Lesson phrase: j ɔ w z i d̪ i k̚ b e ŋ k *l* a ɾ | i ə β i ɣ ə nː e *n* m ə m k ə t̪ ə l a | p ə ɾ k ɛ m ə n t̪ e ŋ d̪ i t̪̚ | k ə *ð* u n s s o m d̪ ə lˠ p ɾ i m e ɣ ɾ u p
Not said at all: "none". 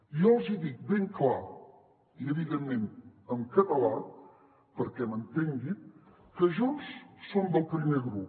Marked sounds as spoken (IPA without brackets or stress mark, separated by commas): l, none, ʒ